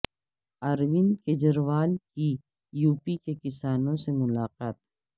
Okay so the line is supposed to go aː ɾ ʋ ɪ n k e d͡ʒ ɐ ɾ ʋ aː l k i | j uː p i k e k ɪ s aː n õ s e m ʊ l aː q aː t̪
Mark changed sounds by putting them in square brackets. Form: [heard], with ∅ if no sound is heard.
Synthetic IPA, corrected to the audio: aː ɾ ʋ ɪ n k e d͡ʒ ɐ ɾ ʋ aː l k i | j uː p i k e k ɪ s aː n õ s e m ʊ l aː q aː t̪